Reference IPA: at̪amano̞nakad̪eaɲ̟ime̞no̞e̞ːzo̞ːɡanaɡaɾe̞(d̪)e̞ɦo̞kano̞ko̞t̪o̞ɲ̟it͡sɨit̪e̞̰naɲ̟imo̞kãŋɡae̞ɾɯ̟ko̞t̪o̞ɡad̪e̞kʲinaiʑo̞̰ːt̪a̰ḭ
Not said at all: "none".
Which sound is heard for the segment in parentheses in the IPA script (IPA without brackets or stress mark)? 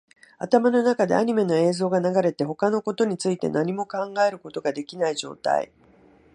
t̪